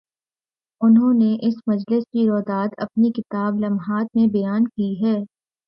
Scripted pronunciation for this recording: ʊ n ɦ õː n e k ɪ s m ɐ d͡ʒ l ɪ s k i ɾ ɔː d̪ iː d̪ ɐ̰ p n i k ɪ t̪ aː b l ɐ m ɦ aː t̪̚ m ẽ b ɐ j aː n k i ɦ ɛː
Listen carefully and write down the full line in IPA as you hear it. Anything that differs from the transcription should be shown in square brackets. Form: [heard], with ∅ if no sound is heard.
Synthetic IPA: ʊ n ɦ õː n e [ʔ] ɪ s m ɐ d͡ʒ l ɪ s k i ɾ ɔː d̪ [aː] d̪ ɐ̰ p n i k ɪ t̪ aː b l ɐ m ɦ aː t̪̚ m ẽ b ɐ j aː n k i ɦ ɛː